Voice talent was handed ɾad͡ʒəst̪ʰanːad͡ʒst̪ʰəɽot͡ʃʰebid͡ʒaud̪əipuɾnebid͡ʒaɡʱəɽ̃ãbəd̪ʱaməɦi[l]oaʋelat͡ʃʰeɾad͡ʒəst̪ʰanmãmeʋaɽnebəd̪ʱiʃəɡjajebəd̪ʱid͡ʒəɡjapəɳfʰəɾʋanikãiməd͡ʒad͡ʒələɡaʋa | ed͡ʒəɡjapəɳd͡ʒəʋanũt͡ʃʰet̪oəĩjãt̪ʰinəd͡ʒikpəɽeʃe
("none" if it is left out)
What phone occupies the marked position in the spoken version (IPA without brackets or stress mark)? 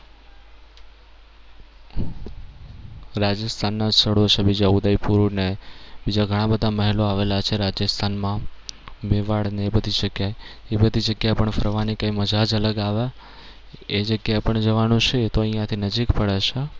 l